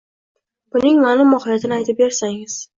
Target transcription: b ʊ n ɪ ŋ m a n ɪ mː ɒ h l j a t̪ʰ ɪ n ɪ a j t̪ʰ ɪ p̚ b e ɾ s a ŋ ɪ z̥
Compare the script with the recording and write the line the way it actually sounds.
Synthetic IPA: b ʊ n ɪ ŋ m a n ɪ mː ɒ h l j a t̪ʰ ɪ n ɪ a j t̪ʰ ɪ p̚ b e ɾ s a ŋ ɪ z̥